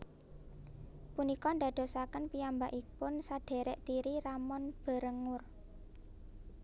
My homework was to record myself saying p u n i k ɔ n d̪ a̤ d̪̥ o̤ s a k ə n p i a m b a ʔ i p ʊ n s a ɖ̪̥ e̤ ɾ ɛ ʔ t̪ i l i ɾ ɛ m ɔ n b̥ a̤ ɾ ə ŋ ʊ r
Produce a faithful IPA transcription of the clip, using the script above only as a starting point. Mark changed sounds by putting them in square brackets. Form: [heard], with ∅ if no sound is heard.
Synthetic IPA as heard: p u n i k ɔ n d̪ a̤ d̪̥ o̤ s a k ə n p i a m b a ʔ i p ʊ n s a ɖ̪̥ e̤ ɾ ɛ ʔ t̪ i [ɾ] i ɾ [a] m ɔ n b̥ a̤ ɾ ə ŋ ʊ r